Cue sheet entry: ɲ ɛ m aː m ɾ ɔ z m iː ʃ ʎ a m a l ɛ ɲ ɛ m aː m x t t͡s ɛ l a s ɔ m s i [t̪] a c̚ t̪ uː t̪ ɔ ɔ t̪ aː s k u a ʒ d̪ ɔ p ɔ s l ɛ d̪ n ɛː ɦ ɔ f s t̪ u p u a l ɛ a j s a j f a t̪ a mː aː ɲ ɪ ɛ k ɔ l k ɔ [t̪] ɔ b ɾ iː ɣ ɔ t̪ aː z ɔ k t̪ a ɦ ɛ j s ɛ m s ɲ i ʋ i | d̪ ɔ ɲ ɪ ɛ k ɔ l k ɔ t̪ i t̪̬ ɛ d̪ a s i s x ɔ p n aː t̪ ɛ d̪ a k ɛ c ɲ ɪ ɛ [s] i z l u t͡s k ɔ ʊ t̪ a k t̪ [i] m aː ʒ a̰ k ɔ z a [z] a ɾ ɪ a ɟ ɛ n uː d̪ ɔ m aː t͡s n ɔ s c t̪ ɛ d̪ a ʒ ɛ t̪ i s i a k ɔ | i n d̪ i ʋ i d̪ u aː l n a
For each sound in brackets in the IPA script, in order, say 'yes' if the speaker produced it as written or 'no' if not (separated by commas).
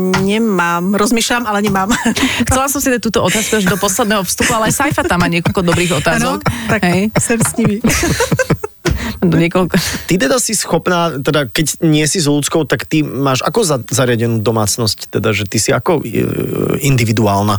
no, no, yes, yes, yes